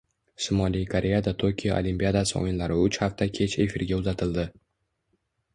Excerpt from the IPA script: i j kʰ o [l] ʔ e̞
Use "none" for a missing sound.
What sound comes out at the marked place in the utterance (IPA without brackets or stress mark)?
ɾ